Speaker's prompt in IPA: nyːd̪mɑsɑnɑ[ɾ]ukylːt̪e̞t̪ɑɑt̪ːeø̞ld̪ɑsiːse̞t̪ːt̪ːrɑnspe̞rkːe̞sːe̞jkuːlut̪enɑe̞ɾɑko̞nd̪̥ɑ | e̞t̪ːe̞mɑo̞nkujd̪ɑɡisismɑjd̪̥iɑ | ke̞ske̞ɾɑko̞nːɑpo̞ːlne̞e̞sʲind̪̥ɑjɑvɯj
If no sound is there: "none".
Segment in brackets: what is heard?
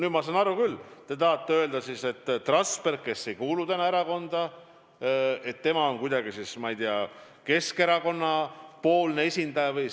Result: ɾ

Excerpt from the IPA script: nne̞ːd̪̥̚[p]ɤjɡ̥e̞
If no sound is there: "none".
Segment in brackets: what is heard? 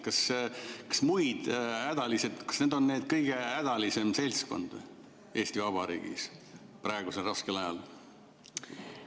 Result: k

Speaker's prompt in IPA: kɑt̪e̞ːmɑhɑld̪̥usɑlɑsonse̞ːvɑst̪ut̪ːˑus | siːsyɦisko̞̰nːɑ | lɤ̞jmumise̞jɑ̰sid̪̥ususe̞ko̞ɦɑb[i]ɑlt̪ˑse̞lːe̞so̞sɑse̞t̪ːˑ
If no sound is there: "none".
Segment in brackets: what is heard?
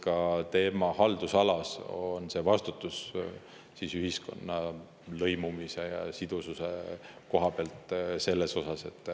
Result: e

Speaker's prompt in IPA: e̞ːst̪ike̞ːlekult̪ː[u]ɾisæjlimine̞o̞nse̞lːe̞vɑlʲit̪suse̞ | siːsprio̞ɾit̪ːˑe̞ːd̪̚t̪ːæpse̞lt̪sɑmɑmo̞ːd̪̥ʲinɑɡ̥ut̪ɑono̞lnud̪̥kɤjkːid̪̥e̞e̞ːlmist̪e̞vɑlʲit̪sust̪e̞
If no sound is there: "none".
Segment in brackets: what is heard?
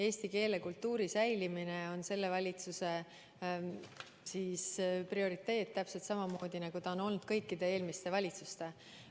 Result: uː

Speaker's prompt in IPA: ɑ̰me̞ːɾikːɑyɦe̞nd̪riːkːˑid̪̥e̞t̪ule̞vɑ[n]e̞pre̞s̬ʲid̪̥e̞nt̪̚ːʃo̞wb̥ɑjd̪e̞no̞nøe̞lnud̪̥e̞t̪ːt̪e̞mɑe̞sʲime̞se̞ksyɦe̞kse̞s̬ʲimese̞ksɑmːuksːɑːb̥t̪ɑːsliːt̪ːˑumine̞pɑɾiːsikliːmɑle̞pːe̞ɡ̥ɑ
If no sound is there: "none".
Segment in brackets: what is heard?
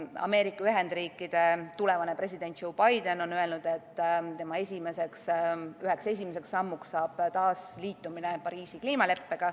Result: n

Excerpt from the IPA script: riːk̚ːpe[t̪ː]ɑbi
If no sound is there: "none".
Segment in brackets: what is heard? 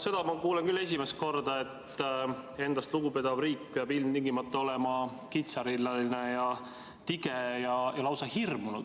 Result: none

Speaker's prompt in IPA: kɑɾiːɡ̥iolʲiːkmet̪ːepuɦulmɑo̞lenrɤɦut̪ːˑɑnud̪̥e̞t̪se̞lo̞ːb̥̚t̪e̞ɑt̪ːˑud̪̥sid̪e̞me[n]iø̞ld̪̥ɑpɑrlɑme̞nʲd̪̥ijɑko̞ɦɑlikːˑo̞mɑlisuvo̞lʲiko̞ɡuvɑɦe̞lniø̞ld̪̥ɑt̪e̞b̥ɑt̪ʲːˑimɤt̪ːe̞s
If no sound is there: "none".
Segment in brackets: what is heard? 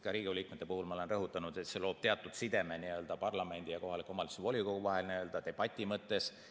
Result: n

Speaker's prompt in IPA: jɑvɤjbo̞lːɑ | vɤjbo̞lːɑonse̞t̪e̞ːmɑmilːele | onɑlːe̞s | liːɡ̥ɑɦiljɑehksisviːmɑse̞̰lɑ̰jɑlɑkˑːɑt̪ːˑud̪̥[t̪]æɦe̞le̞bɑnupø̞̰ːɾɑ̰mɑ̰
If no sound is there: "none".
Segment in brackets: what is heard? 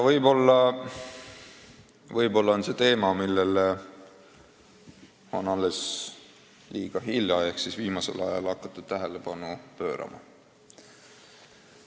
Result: t̪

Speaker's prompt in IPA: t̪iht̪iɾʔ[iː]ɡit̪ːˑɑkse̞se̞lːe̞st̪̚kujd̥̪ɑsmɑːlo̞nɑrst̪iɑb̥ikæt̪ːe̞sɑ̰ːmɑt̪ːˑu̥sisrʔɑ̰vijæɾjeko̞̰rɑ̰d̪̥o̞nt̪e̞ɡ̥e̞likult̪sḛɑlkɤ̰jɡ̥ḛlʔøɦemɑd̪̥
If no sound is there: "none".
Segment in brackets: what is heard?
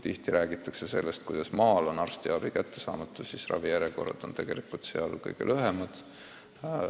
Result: æː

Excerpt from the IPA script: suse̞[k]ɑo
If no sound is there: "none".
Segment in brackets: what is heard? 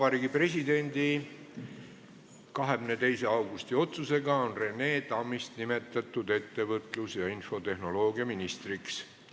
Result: ɡ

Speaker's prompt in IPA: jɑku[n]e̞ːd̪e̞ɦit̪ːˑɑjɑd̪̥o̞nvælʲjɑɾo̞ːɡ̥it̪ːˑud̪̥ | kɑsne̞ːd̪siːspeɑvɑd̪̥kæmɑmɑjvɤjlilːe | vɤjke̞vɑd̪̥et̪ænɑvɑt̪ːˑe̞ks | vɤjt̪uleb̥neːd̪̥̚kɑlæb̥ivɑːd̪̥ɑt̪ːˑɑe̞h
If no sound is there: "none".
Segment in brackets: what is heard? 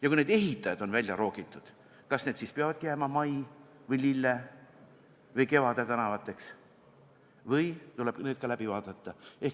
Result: n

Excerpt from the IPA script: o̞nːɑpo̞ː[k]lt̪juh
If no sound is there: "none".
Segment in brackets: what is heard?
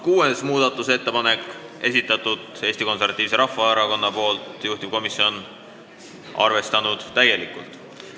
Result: none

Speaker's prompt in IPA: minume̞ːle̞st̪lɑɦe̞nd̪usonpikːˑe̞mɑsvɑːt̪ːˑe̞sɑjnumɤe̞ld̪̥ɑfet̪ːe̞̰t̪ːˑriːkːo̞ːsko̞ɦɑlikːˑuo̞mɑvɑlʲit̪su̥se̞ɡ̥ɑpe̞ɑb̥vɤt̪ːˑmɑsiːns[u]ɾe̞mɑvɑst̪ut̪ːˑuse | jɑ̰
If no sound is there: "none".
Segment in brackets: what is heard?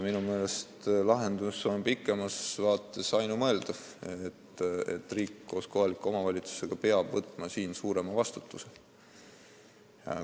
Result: uː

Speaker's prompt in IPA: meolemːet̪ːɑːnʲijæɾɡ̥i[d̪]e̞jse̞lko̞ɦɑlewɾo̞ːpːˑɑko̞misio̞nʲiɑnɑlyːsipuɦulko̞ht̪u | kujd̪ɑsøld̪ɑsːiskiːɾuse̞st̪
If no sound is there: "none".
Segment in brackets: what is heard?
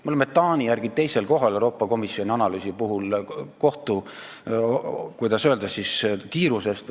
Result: t̪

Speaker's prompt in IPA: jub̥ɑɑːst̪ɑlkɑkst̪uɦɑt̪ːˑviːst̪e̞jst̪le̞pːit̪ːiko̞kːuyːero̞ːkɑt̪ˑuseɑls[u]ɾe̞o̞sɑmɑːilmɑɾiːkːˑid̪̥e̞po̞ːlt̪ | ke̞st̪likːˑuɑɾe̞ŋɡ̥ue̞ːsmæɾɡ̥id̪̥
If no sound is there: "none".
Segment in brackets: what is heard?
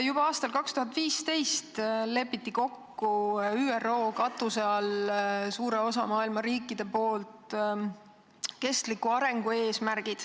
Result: uː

